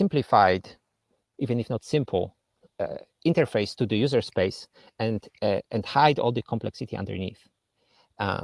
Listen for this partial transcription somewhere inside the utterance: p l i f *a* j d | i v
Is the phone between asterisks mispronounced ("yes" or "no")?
no